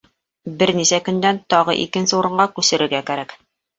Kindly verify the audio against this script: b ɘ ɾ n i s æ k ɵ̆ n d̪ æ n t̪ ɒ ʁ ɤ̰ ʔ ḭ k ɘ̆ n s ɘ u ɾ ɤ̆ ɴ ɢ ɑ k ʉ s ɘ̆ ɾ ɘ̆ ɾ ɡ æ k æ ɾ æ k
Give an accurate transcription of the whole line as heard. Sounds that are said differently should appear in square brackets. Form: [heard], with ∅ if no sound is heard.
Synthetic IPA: b ɘ ɾ n i s æ k ɵ̆ n d̪ æ n t̪ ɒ ʁ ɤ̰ ʔ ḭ k ɘ̆ n s ɘ u ɾ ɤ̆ ɴ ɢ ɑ k ʉ s ɘ̆ ɾ ɘ̆ ɾ ɡ æ k æ ɾ æ k